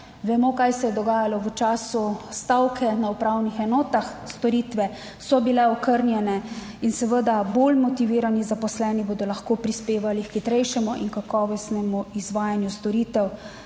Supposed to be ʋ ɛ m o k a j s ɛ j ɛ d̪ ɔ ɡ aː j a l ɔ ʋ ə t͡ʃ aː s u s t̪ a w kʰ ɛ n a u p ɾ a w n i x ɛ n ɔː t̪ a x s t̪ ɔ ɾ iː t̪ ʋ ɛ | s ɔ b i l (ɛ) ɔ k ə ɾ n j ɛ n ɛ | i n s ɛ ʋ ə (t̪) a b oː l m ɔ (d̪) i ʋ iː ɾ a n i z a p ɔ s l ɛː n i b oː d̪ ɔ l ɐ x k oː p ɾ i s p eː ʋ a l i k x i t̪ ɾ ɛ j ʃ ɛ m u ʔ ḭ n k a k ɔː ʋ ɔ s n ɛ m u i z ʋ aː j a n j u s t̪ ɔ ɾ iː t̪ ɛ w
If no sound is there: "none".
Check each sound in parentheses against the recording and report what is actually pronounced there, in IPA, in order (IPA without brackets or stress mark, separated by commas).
ɛ, d̪, t̪